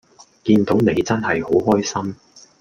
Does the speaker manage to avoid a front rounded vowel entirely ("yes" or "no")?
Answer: yes